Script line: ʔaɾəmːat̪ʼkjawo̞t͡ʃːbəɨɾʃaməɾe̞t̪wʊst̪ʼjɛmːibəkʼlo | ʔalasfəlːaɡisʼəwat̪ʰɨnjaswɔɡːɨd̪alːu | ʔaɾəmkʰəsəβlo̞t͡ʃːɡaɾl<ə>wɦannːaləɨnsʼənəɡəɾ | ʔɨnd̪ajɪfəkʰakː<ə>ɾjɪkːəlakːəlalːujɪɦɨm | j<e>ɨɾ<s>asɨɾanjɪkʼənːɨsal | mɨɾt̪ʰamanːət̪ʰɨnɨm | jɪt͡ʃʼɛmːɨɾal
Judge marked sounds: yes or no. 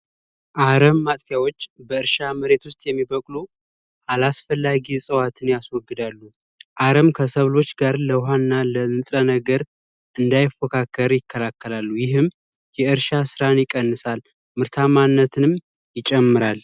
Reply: yes, yes, no, no

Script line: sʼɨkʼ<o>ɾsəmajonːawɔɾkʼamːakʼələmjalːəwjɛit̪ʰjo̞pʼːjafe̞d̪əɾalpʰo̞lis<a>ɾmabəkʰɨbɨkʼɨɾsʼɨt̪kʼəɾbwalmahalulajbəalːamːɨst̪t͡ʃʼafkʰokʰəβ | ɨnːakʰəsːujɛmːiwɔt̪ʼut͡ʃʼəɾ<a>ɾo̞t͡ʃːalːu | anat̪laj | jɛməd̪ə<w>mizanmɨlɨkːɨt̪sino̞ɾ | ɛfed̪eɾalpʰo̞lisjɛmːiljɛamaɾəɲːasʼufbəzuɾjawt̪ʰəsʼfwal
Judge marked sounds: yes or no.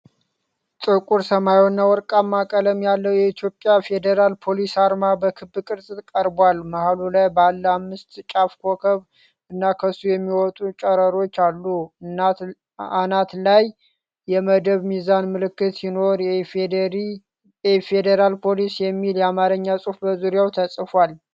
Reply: no, yes, no, no

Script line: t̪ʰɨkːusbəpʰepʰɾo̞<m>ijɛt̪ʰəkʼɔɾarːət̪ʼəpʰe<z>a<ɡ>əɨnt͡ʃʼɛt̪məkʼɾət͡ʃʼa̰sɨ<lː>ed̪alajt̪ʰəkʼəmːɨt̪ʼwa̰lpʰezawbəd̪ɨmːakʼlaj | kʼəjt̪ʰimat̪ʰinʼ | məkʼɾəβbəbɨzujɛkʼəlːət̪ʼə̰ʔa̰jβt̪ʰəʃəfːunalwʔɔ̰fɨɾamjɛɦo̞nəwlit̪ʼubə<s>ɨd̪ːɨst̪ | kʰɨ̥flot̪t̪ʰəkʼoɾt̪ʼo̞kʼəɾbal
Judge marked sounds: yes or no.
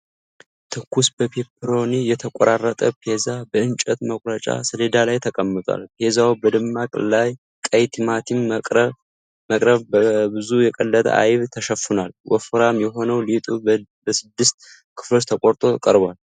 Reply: no, yes, no, no, yes

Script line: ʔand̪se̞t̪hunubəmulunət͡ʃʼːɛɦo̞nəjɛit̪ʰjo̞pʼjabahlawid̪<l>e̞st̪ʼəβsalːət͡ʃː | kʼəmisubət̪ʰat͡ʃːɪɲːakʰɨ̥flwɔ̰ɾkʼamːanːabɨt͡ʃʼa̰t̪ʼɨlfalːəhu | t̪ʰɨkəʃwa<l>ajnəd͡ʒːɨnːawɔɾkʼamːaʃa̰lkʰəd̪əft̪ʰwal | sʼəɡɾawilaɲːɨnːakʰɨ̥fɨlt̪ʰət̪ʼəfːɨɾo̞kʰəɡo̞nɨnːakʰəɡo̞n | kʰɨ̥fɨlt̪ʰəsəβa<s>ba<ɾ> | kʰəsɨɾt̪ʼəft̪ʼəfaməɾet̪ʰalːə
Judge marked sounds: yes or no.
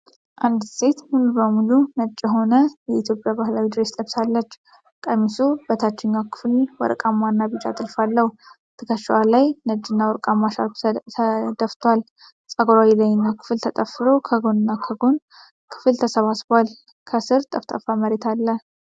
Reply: no, yes, yes, no

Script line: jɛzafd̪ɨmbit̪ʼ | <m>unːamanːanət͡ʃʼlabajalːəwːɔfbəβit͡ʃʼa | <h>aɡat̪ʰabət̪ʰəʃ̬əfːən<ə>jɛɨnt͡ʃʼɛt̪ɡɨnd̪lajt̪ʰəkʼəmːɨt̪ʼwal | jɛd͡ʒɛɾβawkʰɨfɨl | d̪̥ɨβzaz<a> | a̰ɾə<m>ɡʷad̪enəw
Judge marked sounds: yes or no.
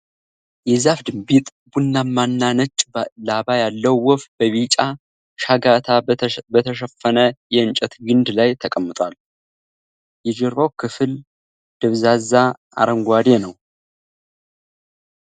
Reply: no, no, yes, yes, no

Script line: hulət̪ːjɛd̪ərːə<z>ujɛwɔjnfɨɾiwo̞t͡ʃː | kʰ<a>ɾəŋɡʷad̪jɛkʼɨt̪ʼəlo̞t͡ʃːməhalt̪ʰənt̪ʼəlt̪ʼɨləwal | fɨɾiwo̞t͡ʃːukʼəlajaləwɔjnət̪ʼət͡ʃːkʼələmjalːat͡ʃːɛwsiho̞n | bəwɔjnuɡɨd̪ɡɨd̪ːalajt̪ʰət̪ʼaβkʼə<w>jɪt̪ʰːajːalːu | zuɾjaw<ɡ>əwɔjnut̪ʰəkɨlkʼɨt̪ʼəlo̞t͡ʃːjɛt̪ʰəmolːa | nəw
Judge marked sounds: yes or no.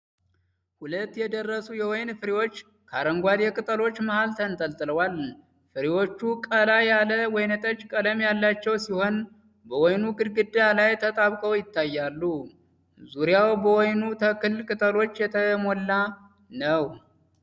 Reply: no, yes, yes, no

